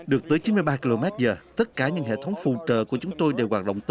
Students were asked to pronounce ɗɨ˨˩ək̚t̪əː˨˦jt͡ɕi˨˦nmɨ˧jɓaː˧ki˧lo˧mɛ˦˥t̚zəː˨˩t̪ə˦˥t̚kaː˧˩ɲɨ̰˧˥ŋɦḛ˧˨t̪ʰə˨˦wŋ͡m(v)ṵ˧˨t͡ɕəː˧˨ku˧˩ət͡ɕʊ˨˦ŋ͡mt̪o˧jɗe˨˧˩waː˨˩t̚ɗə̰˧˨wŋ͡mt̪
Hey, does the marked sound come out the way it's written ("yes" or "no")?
no